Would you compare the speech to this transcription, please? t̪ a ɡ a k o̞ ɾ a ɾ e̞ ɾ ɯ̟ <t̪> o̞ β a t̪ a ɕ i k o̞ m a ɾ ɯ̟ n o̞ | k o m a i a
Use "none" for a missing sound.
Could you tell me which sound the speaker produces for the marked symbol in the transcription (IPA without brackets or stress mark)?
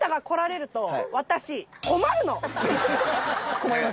t̪